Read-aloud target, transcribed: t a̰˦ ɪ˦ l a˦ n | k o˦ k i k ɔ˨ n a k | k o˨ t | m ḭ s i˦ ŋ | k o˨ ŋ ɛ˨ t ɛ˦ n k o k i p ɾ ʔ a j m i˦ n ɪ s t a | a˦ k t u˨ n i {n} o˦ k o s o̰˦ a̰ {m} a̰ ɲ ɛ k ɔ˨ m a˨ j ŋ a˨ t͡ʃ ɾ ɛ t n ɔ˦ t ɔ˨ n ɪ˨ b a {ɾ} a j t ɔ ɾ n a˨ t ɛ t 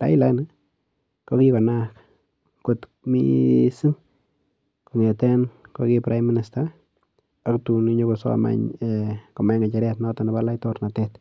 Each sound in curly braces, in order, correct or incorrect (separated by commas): incorrect, correct, incorrect